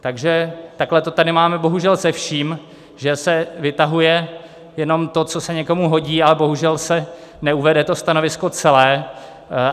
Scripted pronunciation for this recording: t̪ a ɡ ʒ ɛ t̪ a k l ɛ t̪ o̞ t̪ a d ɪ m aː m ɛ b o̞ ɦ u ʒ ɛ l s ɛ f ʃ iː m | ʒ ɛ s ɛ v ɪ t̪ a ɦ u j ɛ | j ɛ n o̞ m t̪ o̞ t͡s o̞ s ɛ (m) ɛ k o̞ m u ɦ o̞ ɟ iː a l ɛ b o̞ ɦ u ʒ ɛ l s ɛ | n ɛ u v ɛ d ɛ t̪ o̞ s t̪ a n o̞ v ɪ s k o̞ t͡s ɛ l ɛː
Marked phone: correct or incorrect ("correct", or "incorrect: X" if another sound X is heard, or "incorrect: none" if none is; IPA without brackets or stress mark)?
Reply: incorrect: ɲ